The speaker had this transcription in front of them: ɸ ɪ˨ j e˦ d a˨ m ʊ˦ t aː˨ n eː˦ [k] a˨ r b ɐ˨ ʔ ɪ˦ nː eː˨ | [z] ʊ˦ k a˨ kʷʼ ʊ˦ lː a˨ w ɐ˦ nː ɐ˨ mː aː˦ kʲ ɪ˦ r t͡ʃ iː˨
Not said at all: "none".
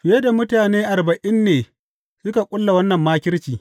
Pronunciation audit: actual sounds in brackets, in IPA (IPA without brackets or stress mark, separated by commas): ʔ, s